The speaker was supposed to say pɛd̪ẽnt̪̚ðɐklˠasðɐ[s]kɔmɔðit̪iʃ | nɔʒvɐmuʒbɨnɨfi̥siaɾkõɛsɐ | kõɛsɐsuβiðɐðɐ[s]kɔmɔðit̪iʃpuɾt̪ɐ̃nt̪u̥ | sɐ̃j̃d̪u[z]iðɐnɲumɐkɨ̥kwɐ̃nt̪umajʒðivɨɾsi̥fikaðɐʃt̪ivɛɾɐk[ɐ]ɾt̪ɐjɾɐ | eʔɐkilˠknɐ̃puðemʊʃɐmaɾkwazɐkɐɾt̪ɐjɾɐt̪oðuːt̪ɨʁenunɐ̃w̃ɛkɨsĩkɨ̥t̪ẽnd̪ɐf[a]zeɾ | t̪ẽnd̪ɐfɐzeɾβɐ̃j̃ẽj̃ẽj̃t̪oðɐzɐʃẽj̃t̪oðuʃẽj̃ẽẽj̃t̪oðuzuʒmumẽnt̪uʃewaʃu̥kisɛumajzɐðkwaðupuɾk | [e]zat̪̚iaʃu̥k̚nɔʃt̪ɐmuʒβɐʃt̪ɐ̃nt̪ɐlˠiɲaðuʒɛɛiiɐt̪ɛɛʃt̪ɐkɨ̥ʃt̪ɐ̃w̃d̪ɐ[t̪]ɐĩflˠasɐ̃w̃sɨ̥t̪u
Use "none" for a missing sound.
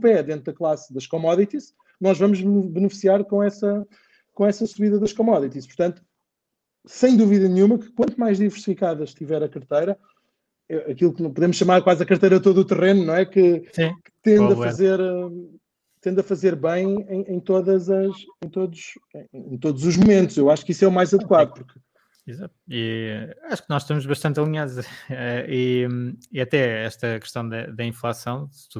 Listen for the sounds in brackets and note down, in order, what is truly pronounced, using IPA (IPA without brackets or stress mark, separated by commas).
ʃ, ʃ, v, ɐ, ɐ, i, d̪